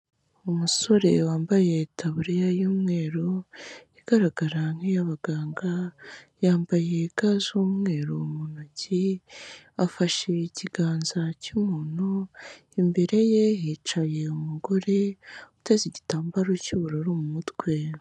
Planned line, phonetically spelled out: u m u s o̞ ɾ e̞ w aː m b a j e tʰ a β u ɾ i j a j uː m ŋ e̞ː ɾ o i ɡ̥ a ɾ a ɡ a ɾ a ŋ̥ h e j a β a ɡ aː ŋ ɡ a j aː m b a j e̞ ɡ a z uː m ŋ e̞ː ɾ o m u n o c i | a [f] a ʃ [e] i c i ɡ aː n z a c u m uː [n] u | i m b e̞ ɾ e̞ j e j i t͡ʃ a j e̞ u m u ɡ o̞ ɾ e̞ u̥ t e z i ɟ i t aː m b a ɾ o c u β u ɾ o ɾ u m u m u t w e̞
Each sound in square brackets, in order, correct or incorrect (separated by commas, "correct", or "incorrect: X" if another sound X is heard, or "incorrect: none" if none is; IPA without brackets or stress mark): correct, correct, correct